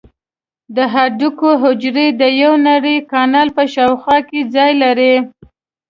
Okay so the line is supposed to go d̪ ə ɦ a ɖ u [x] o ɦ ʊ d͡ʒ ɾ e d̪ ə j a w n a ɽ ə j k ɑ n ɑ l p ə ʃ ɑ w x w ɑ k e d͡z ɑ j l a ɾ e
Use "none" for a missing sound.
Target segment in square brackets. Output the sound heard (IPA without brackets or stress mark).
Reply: k